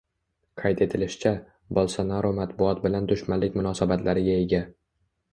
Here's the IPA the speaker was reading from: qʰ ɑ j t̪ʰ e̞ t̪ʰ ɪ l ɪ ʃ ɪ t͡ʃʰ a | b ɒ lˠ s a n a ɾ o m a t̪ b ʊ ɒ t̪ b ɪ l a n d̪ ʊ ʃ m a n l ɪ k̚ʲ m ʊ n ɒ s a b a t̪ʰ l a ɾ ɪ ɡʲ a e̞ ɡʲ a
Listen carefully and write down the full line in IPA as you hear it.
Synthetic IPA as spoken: qʰ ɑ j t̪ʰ e̞ t̪ʰ ɪ l ɪ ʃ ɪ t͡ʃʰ a | b ɒ lˠ s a n a ɾ o m a t̪ b ʊ ɒ t̪ b ɪ l a n d̪ ʊ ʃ m a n l ɪ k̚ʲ m ʊ n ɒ s a b a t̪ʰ l a ɾ ɪ ɡʲ a e̞ ɡʲ a